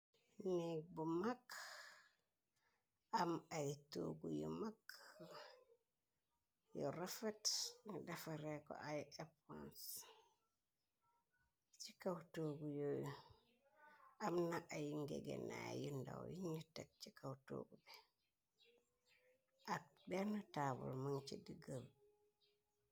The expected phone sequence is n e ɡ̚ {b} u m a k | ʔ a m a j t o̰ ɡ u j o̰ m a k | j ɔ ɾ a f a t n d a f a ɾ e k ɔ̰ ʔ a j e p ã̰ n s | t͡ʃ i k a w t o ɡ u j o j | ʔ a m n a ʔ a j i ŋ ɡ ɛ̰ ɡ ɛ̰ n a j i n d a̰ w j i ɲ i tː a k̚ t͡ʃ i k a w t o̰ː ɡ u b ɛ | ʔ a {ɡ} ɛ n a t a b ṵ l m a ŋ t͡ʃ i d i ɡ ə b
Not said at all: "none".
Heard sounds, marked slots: b, b

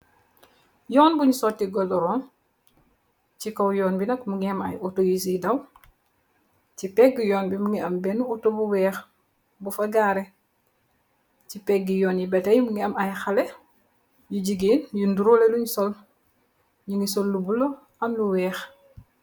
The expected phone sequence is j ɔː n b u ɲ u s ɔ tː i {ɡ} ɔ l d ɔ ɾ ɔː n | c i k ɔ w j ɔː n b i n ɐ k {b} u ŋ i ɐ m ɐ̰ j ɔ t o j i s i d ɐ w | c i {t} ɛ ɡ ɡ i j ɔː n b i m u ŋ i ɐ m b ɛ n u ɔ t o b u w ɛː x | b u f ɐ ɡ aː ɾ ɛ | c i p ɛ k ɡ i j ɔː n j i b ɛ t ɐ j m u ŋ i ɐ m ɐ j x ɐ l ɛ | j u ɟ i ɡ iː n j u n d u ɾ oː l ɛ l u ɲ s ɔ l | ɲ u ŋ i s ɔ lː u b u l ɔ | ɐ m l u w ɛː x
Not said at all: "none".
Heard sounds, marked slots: ɡ, m, p

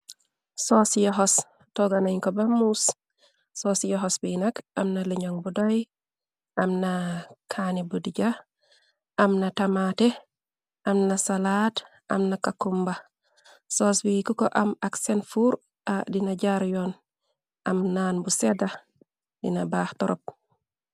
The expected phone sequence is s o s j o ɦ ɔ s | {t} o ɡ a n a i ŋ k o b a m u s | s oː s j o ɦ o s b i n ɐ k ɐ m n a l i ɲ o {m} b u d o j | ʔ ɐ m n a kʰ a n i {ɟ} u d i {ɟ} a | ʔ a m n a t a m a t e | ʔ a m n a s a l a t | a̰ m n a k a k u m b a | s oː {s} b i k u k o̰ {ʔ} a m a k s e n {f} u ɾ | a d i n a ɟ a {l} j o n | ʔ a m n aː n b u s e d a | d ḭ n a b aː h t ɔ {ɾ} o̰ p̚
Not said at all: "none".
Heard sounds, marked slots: t, ŋ, b, ɟ, s, ʔ, f, ɾ, ɾ

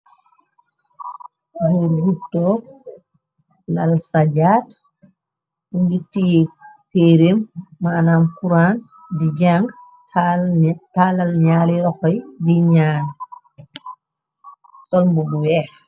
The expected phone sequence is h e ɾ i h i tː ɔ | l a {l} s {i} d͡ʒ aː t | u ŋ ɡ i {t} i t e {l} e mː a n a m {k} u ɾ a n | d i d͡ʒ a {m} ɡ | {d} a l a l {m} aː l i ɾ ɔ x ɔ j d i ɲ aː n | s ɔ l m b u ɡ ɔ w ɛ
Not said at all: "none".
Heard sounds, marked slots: l, a, t, ɾ, k, ŋ, t, ɲ

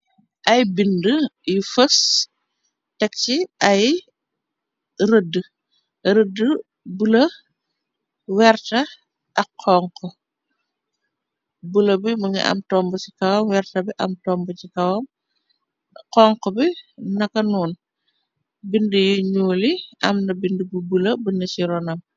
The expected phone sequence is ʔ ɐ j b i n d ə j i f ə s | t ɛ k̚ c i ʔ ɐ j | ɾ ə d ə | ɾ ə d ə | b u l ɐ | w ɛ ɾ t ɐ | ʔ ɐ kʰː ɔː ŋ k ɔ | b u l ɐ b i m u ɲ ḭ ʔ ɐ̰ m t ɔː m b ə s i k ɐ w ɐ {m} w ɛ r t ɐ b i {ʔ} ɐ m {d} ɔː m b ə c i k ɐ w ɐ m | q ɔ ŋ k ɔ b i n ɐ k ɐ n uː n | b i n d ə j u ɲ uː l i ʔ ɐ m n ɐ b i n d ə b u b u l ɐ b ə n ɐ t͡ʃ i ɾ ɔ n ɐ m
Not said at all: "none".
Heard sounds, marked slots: m, ʔ, t

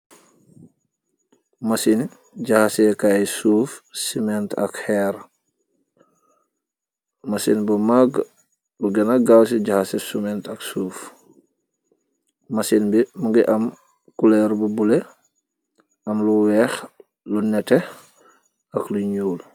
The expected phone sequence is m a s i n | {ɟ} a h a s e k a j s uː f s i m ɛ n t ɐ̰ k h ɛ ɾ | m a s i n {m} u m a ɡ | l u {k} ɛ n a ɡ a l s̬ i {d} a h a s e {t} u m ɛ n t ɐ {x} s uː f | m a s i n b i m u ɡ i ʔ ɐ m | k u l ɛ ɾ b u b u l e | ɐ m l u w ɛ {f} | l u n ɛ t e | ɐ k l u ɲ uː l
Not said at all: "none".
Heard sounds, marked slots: ɟ, b, ɡ, ɟ, s, k, x

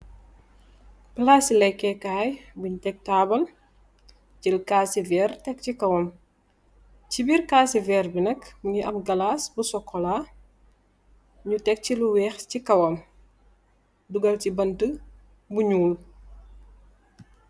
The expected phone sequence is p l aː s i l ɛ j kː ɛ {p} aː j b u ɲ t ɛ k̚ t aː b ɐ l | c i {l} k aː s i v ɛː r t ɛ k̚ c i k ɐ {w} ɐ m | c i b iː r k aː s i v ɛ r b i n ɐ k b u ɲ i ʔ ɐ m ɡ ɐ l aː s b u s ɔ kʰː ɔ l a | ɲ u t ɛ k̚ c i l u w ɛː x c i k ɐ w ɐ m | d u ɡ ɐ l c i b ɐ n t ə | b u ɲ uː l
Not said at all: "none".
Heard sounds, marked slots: k, l, w

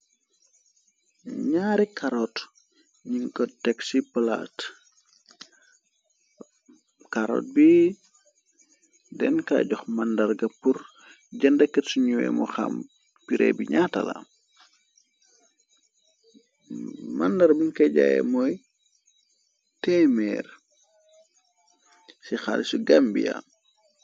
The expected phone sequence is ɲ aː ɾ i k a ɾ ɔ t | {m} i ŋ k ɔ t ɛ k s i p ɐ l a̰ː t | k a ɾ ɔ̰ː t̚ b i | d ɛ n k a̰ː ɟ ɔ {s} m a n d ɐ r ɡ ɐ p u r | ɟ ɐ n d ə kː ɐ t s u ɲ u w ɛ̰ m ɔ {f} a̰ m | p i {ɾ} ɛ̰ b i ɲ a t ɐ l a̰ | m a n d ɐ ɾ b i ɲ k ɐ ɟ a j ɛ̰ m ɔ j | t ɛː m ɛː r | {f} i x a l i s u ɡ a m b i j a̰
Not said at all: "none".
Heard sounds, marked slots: ɲ, x, x, ɾ, s

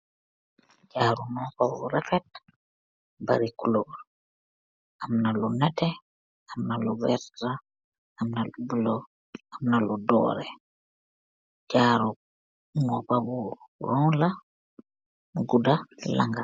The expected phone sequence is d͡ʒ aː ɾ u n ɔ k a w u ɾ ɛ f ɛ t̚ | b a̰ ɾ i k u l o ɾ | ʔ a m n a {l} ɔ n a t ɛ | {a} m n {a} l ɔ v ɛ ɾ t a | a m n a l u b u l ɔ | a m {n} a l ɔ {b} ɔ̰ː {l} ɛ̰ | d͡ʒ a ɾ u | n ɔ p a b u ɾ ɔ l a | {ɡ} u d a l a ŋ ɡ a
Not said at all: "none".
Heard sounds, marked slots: l, a, a, n, d, ɾ, ɡ

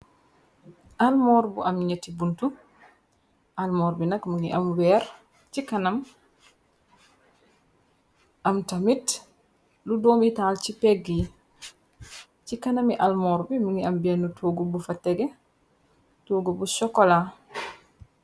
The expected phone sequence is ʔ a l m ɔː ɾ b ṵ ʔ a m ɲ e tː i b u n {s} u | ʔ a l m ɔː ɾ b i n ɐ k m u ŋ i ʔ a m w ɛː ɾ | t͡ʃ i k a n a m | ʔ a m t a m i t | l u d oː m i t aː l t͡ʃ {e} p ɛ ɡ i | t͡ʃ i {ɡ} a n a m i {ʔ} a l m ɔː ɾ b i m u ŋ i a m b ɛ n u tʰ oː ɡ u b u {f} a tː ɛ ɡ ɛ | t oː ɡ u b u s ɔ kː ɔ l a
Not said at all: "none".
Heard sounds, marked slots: t, i, k, ʔ, f

